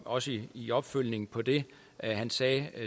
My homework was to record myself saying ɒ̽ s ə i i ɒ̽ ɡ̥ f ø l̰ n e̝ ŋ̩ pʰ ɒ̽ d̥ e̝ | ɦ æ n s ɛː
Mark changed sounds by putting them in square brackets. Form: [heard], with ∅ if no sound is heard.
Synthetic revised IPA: ɒ̽ s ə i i ɒ̽ [b̥] f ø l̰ n e̝ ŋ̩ pʰ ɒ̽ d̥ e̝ | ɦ æ n s ɛː